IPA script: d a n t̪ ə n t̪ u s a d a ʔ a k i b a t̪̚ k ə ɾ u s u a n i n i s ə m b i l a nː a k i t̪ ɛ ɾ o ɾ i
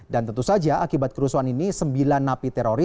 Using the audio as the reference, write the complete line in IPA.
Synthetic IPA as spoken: d a n t̪ ə n t̪ u s a d͡ʒ a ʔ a k i b a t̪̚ k ə ɾ u s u a n i n i s ə m b i l a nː a p i t̪ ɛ ɾ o ɾ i